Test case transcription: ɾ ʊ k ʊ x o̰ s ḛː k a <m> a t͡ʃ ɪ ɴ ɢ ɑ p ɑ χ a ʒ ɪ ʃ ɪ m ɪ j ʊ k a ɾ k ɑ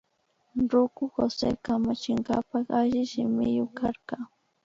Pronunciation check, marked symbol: correct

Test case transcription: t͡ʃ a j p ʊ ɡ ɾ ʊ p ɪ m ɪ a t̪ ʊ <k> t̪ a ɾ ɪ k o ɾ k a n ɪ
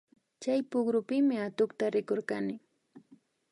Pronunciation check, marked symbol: correct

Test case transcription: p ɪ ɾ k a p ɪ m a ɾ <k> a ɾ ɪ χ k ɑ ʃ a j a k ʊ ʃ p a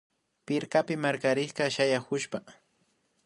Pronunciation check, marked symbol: correct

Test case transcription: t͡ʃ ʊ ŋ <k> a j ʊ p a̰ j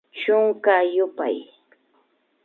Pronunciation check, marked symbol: correct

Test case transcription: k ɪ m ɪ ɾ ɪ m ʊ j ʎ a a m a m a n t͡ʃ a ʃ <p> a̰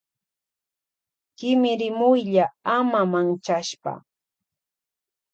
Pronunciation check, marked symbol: correct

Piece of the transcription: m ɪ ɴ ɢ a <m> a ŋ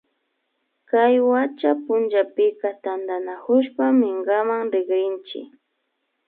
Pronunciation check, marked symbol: correct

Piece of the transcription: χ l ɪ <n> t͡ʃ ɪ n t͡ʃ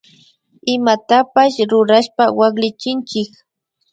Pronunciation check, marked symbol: incorrect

